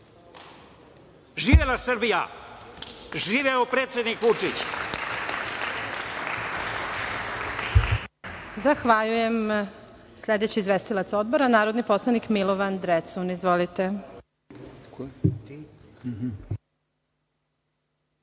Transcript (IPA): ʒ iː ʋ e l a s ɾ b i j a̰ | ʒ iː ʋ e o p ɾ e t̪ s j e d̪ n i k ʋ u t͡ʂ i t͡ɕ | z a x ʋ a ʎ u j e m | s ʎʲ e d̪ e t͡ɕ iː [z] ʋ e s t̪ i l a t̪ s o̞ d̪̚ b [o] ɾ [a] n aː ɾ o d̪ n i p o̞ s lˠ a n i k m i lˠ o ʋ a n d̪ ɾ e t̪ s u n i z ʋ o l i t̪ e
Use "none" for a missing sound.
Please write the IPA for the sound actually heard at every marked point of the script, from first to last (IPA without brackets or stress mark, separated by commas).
z, o, a